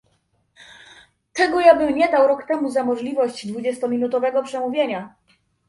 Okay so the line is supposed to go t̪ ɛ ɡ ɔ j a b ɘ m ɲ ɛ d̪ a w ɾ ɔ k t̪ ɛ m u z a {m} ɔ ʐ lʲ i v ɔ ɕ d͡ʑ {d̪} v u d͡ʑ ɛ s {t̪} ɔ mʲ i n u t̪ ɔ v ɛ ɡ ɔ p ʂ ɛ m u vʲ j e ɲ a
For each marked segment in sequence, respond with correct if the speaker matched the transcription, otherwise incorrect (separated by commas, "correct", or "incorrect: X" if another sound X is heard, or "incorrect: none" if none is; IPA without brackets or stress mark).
correct, correct, correct